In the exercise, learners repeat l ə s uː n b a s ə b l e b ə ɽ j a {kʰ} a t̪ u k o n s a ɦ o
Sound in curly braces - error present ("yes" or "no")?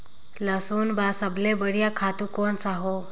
no